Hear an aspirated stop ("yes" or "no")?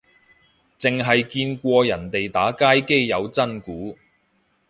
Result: no